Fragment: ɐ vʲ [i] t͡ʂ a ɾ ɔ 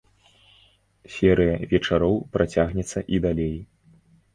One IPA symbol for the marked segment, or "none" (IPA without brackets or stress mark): ɛ